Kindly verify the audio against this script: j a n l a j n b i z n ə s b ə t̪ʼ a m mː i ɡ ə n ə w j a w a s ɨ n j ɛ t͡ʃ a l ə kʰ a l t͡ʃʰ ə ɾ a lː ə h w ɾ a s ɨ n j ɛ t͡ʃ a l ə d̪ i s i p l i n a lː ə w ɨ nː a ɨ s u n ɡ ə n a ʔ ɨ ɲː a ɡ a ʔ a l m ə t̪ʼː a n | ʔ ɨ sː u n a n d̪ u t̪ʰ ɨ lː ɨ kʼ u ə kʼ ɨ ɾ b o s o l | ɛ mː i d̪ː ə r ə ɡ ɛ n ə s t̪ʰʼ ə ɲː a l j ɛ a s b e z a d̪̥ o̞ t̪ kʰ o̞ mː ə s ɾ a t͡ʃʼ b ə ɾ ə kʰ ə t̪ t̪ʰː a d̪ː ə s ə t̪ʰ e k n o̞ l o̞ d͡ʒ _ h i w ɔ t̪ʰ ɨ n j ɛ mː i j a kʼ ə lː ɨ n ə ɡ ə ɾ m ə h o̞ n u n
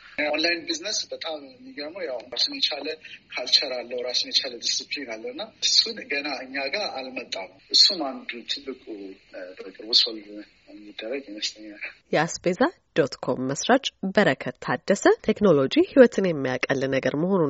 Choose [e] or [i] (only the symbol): i